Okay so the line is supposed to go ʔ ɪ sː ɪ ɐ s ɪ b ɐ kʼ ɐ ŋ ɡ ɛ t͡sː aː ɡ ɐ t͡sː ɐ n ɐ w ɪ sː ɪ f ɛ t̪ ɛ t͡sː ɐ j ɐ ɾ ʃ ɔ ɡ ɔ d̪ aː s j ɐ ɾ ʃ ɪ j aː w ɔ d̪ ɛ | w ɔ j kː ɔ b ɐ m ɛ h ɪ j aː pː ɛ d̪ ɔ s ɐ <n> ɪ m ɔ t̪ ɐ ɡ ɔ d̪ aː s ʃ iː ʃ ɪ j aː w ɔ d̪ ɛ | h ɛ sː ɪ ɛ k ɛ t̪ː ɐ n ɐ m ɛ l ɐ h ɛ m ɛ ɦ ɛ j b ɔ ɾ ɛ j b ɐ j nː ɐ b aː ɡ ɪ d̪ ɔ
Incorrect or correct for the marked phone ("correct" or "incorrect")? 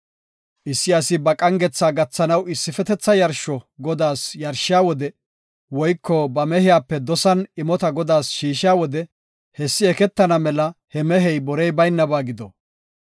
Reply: correct